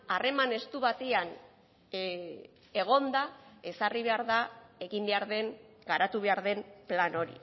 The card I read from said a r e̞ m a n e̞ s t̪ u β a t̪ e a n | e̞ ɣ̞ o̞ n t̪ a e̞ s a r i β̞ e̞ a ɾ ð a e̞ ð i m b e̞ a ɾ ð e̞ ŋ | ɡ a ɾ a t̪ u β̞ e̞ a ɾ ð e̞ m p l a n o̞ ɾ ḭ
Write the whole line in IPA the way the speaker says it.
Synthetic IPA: a r e̞ m a n e̞ s t̪ u β a t̪ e a n | e̞ ɣ̞ o̞ n d̪ a e̞ s a r i β̞ e̞ a ɾ ð a e̞ ɣ i m b e̞ a ɾ ð e̞ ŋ | ɡ a ɾ a t̪ u β̞ e̞ a ɾ ð e̞ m p l a n o̞ ɾ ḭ